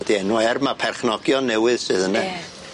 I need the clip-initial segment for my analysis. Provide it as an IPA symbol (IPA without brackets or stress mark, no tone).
d